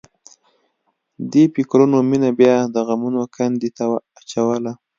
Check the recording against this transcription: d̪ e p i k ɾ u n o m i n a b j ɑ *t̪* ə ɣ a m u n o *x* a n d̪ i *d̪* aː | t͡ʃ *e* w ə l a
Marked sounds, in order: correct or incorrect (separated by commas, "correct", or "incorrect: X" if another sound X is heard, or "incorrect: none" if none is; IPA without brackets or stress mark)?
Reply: incorrect: d̪, incorrect: k, incorrect: t̪, incorrect: a